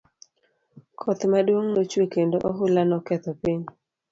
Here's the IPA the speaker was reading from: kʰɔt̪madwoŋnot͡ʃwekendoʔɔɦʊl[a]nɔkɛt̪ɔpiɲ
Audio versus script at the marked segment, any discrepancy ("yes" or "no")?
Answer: no